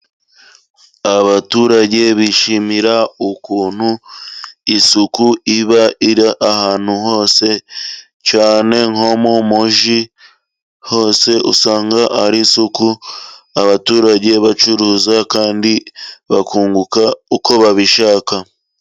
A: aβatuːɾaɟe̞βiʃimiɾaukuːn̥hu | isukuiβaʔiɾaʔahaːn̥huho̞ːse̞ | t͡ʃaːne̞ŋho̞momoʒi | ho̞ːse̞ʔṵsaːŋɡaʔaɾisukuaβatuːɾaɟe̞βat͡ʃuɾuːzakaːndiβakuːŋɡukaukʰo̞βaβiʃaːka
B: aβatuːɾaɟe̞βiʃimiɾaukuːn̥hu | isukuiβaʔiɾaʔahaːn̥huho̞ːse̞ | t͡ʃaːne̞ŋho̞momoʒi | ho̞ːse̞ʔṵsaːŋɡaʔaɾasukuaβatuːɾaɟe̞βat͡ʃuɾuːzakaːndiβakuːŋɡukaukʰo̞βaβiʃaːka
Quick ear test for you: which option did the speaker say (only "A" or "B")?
A